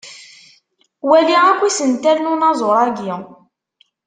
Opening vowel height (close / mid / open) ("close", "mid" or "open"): open